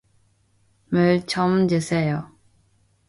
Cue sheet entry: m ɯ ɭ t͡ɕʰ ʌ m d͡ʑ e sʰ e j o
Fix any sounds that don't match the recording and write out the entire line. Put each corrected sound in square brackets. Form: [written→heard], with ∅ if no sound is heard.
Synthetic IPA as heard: m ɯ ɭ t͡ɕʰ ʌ m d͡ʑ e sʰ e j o